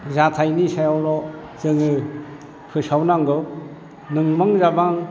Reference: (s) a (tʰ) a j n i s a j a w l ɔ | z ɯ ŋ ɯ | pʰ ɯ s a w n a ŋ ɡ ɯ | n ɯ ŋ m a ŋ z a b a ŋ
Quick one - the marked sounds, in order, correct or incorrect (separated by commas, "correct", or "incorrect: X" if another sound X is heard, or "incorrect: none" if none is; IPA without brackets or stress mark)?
incorrect: z, correct